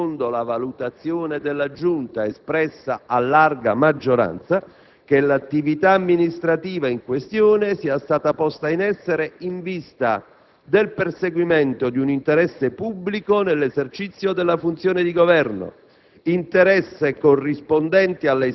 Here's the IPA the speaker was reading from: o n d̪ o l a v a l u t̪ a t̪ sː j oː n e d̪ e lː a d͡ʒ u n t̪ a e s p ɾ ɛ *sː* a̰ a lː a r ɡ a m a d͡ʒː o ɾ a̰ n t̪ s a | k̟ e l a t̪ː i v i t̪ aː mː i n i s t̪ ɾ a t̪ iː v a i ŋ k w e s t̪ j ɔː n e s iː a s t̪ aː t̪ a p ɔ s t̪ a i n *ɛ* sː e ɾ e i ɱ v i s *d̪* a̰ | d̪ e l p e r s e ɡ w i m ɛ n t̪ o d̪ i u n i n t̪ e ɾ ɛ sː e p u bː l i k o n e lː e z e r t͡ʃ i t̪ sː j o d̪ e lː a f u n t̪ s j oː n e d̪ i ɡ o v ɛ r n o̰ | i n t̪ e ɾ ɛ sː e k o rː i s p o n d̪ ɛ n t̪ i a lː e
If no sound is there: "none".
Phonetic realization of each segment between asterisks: sː, ɛ, t̪

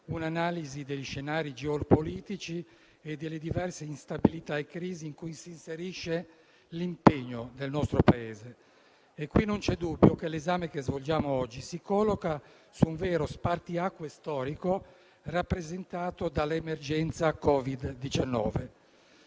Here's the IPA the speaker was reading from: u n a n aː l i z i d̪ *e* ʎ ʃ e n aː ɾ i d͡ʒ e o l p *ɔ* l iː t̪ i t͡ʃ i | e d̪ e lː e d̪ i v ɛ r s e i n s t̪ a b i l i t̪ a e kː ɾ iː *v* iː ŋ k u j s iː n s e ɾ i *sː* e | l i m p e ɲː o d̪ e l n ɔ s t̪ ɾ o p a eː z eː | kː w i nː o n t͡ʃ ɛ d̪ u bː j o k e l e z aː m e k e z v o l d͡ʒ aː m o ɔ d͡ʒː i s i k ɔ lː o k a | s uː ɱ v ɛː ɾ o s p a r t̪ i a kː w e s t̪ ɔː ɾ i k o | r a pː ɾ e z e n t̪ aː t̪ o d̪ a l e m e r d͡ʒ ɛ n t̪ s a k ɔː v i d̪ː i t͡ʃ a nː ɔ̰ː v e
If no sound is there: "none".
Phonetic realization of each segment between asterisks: e, o, z, ʃː

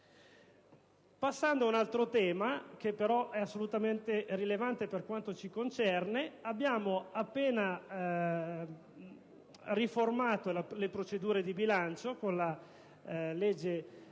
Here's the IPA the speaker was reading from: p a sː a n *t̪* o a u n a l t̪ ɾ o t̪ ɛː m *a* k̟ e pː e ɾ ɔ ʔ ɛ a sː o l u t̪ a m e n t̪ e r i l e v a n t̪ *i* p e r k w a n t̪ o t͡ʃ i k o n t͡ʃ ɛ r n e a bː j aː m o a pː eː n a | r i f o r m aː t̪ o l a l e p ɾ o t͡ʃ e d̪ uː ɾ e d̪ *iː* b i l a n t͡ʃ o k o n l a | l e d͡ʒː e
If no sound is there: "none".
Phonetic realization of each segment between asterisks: d̪, a, e, i

